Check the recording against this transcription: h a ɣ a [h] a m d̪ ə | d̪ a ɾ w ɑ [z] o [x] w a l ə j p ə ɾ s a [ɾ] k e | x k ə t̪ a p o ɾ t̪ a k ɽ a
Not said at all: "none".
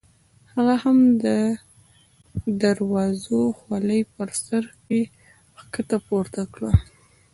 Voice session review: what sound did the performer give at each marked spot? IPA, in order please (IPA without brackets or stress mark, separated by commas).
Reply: h, z, x, ɾ